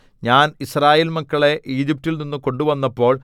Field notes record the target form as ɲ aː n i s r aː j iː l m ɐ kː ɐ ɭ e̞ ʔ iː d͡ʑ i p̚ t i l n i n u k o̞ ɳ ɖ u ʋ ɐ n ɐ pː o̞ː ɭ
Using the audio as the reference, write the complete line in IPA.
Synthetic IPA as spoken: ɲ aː n i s r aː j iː l m ɐ kː ɐ ɭ e̞ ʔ iː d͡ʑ i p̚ t i l n i nː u k o̞ ɳ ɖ u ʋ ɐ nː ɐ pː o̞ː ɭ